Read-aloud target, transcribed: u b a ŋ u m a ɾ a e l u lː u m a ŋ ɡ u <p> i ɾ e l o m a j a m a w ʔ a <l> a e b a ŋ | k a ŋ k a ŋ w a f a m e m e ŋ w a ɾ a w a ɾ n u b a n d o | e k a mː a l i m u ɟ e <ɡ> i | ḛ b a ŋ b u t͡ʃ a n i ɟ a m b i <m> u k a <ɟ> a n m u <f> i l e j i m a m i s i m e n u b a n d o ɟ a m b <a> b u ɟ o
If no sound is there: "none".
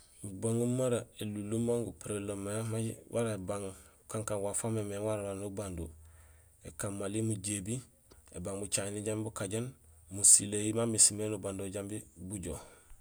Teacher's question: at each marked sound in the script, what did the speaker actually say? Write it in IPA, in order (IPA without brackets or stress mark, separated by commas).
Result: p, ɾ, b, b, ɟ, s, i